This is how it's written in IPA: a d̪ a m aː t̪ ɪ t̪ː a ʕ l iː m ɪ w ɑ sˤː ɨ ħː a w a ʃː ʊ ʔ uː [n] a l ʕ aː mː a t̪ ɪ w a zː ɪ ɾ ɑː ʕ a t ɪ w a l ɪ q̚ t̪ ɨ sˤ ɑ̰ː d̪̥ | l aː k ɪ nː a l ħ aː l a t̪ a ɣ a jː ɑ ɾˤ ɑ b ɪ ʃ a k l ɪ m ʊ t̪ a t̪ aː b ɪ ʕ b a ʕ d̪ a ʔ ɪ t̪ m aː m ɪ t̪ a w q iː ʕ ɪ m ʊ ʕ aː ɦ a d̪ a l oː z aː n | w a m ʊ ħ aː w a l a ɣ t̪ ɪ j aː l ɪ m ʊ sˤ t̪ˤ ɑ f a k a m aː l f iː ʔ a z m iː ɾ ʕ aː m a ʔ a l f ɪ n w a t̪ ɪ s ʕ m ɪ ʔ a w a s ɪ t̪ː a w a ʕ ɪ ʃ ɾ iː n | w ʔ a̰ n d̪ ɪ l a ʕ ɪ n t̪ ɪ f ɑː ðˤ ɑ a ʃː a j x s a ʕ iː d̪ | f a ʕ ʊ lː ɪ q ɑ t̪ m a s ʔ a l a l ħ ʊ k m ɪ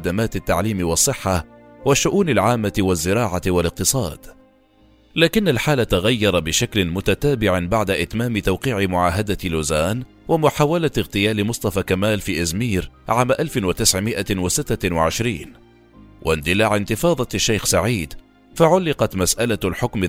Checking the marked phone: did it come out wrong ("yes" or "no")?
no